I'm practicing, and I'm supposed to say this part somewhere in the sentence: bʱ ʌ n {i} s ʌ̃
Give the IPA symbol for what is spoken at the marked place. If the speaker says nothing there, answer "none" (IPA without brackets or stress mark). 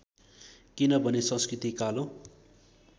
e